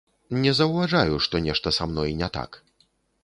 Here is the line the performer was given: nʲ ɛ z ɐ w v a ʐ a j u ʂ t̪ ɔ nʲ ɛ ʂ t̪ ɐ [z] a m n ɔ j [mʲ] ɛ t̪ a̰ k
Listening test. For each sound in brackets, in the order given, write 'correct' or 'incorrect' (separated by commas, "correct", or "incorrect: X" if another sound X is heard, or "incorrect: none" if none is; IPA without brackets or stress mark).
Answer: incorrect: s, incorrect: nʲ